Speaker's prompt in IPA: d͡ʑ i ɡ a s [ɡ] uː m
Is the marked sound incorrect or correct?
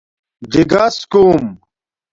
incorrect: k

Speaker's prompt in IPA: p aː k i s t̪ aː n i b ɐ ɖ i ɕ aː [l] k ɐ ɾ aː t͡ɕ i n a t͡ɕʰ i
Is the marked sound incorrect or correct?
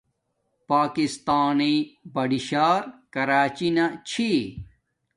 incorrect: ɾ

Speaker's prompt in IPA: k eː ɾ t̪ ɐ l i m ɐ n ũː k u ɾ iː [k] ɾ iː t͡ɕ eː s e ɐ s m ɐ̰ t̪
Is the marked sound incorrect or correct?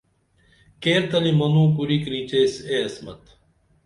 correct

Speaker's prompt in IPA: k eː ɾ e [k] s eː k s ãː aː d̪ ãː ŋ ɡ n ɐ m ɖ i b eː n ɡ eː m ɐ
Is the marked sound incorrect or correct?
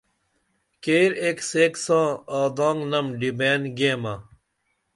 correct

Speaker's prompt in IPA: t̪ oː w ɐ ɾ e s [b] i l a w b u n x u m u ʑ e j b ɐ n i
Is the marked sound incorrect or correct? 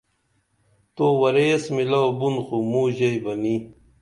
incorrect: m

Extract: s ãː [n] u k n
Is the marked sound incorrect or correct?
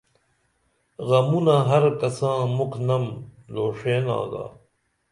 incorrect: m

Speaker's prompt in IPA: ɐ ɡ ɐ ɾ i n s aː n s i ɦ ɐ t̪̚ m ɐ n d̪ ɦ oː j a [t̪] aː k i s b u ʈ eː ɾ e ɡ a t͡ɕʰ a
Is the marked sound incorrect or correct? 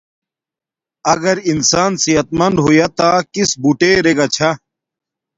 correct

